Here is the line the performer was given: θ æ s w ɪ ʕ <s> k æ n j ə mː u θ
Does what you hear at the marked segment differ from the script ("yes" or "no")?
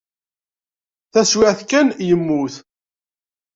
yes